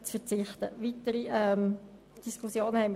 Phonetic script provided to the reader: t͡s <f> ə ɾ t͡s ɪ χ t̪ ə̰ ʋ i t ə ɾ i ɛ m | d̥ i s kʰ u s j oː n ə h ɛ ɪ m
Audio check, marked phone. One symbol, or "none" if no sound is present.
f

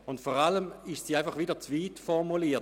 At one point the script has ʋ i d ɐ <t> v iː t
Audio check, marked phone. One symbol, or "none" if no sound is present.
t͡s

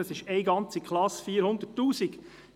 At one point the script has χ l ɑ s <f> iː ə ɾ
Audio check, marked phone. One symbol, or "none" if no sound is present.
f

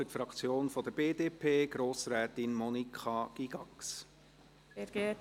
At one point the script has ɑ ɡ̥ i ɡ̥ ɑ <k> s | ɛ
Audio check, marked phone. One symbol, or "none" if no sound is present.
k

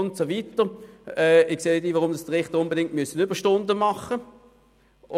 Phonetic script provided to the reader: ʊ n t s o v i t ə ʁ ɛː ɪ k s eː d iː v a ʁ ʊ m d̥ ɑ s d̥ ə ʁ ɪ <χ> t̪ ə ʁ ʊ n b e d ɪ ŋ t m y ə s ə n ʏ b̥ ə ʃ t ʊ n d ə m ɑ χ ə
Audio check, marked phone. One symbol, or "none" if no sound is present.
χ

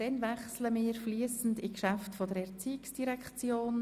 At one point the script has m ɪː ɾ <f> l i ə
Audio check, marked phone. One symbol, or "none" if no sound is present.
f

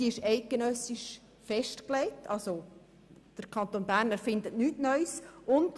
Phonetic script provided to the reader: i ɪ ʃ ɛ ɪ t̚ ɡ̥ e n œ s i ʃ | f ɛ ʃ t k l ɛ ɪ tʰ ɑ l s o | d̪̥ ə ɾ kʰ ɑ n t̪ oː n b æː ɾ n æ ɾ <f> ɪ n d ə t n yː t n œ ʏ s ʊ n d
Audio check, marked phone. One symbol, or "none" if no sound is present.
f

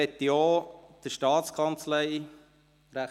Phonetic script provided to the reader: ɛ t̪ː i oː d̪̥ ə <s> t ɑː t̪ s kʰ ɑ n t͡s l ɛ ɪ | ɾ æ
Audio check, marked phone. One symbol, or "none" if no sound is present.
ʃ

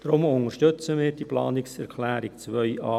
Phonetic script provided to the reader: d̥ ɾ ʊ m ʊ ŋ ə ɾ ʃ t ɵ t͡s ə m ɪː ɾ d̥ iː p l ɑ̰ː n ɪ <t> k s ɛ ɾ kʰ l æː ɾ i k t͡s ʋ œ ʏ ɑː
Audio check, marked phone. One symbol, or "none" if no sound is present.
none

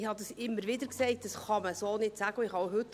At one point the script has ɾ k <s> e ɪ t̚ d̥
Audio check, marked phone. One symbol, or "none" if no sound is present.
s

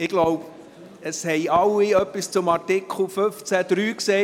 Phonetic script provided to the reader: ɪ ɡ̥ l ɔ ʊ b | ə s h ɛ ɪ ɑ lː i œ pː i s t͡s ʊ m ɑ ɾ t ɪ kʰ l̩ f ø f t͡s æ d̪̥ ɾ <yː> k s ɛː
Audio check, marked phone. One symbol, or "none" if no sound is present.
yː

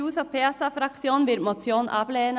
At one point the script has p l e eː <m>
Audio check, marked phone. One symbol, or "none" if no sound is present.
n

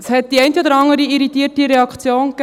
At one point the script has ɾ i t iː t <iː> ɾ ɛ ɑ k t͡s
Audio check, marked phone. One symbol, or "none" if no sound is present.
i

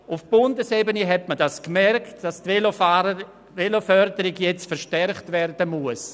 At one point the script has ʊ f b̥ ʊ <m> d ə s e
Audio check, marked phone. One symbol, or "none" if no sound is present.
n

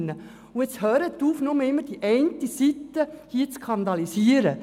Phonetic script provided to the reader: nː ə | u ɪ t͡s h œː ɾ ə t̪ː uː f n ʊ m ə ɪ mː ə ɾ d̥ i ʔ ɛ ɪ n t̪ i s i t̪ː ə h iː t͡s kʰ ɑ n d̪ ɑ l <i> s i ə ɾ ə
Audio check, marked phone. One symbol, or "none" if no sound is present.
i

